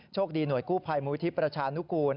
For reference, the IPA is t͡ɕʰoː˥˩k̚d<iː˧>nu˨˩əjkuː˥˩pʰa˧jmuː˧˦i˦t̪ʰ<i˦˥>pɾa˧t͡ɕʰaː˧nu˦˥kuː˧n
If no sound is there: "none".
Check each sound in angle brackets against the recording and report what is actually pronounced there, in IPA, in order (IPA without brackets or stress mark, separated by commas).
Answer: iː˧, i˦˥